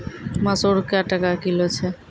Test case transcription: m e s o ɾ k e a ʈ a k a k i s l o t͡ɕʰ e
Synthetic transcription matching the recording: m a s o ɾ k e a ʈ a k a k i l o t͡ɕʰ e